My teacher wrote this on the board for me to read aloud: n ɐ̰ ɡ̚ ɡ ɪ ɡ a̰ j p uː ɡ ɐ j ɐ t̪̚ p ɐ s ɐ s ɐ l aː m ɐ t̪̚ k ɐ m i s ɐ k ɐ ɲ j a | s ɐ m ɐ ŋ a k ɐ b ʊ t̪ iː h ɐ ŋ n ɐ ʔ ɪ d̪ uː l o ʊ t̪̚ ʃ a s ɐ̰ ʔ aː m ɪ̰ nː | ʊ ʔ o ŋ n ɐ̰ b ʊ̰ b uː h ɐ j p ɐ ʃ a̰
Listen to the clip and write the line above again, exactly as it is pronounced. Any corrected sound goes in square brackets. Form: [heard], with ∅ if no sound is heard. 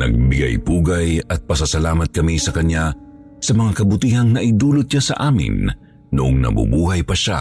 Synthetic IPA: n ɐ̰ ɡ̚ [b] ɪ ɡ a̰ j p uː ɡ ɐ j ɐ t̪̚ p ɐ s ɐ s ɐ l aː m ɐ t̪̚ k ɐ m i s ɐ k ɐ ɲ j a | s ɐ m ɐ ŋ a k ɐ b ʊ t̪ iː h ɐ ŋ n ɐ ʔ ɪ d̪ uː l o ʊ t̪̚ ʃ a s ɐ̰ ʔ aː m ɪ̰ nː | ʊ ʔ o ŋ n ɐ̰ b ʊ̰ b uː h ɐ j p ɐ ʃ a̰